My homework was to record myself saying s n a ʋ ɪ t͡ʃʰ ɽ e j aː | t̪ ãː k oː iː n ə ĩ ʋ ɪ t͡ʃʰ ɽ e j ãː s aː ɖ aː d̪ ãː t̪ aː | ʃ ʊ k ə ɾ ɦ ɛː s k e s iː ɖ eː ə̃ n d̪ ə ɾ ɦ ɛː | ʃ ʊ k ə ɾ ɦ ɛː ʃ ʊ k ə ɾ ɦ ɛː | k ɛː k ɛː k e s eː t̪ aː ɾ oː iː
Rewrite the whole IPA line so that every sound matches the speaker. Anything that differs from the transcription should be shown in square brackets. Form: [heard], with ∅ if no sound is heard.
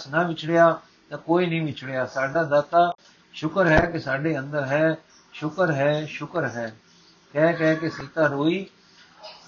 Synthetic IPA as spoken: s n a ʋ ɪ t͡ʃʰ ɽ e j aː | t̪ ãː k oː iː n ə ĩ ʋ ɪ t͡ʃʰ ɽ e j [aː] s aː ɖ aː d̪ [aː] t̪ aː | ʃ ʊ k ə ɾ ɦ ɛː [∅] k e s [aː] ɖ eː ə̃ n d̪ ə ɾ ɦ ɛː | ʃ ʊ k ə ɾ ɦ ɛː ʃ ʊ k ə ɾ ɦ ɛː | k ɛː k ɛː k e s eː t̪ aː ɾ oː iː